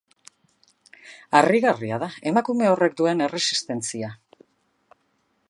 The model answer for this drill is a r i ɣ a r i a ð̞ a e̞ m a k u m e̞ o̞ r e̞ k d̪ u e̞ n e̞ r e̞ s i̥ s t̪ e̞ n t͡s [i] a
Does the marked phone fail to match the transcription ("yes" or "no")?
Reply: no